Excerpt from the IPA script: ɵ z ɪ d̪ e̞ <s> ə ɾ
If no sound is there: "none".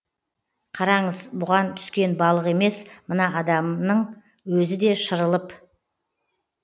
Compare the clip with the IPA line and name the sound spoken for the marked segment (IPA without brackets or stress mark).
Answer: ʃ